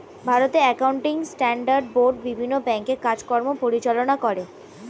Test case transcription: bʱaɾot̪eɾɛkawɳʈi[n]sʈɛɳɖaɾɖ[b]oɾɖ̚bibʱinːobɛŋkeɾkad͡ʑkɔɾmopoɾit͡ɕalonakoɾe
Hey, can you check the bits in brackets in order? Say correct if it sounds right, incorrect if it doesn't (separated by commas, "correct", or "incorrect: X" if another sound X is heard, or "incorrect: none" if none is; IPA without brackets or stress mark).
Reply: incorrect: ŋ, correct